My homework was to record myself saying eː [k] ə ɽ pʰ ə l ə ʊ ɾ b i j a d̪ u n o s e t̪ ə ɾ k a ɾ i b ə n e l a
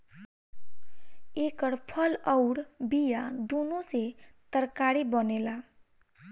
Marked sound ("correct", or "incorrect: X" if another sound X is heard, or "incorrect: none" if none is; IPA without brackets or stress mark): correct